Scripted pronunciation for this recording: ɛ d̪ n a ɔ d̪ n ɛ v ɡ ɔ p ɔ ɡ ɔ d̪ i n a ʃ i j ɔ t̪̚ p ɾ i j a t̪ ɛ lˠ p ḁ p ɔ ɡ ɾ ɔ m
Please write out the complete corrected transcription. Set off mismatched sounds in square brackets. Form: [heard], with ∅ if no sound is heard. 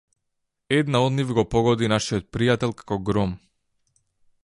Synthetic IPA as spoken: ɛ d̪ n a ɔ d̪ n [i] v ɡ ɔ p ɔ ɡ ɔ d̪ i n a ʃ i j ɔ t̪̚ p ɾ i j a t̪ ɛ lˠ [k] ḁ [k] ɔ ɡ ɾ ɔ m